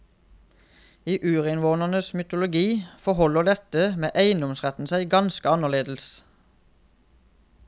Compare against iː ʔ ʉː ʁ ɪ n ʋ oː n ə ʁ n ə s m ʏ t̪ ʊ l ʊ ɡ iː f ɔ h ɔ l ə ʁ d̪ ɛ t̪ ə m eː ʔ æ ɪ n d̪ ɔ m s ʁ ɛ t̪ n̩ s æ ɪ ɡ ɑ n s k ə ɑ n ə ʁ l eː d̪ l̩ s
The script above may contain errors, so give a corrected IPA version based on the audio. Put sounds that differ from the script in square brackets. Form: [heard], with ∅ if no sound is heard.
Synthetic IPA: iː ʔ ʉː ʁ ɪ n ʋ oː n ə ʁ n ə s m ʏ t̪ ʊ l ʊ ɡ iː f ɔ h ɔ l ə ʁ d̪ ɛ t̪ ə m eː ʔ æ ɪ n d̪ ɔ m s ʁ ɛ t̪ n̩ s æ ɪ ɡ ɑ n s k ə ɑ n ə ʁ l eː d̪ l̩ s